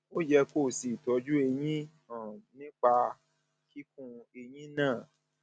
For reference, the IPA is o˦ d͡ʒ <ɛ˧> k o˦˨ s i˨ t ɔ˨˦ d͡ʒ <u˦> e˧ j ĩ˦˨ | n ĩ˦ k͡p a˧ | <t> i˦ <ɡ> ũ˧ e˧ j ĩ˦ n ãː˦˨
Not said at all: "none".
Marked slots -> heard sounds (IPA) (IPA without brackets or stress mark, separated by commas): ɛ˧, u˦, k, k